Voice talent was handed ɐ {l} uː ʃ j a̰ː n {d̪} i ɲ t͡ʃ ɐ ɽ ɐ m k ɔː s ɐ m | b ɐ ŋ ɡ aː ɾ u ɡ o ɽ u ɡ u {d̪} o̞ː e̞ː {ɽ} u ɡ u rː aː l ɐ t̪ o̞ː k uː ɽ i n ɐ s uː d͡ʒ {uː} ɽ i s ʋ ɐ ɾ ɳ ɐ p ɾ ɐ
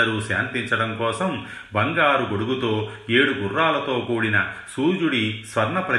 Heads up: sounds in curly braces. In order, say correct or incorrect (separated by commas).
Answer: incorrect, incorrect, incorrect, correct, incorrect